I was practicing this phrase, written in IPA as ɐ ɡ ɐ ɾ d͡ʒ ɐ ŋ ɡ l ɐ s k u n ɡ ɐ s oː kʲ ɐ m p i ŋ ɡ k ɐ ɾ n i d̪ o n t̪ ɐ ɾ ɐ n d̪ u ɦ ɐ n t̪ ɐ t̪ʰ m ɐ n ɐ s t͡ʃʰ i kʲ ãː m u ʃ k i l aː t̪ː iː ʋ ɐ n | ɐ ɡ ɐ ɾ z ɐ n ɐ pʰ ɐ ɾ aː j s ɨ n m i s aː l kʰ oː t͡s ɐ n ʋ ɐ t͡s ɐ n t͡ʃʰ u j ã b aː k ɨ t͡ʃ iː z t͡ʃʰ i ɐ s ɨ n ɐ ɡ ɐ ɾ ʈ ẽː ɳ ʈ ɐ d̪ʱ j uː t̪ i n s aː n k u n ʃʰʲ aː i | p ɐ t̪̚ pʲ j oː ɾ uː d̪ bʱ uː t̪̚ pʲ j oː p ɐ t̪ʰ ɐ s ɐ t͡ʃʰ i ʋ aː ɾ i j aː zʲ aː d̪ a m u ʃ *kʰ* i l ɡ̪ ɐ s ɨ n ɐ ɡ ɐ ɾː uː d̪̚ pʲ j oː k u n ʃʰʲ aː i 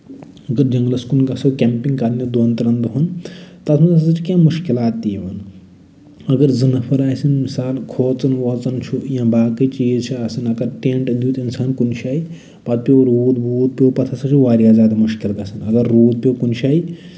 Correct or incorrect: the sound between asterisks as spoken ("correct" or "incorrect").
incorrect